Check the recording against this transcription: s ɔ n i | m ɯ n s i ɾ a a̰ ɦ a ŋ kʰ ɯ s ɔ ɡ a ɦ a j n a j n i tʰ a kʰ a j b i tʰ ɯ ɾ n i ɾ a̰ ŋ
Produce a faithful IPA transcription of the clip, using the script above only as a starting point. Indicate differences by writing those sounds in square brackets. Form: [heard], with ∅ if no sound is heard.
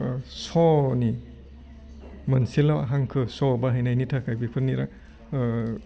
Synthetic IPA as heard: s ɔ n i | m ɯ n s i [l] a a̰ ɦ a ŋ kʰ ɯ s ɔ [b] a ɦ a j n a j n i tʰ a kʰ a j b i [pʰ] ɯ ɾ n i ɾ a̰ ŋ